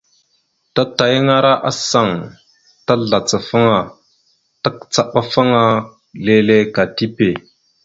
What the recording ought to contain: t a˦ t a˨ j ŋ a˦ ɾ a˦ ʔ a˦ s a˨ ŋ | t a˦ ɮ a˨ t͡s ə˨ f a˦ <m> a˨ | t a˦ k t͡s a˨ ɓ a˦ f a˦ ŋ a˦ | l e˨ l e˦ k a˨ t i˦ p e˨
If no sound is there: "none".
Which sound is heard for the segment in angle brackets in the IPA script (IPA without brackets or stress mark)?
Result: ŋ